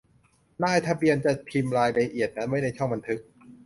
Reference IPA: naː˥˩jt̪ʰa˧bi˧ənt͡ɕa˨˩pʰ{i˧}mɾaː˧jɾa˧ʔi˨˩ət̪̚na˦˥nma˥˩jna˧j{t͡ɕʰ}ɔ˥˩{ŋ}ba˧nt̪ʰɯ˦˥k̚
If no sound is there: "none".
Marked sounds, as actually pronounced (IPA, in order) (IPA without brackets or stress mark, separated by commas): i˧, t͡ɕʰ, ŋ